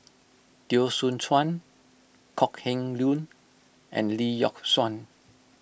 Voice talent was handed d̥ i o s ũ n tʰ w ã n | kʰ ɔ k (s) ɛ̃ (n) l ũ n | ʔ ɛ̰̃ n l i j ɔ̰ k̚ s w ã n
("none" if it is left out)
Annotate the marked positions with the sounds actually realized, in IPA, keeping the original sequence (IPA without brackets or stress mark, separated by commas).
h, ŋ